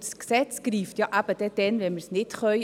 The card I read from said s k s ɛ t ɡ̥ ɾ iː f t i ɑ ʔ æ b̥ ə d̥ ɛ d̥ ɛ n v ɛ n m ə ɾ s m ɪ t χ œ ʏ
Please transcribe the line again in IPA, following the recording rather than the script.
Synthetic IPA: s k s ɛ t͡s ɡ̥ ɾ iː f t j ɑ ʔ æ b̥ ə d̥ ɛ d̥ ɛ n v ɛ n m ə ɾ s n ɪ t χ œ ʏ